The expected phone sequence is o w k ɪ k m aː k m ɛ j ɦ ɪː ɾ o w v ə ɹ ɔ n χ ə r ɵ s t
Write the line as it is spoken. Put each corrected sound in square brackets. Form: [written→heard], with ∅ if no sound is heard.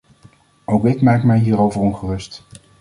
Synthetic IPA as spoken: o w k ɪ k m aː k m ɛ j ɦ [ɪː→iː] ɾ o w v ə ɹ ɔ n χ ə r ɵ s t